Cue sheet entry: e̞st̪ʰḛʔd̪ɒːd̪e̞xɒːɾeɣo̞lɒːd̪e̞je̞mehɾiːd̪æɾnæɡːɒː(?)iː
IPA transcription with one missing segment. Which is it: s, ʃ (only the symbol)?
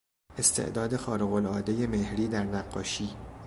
ʃ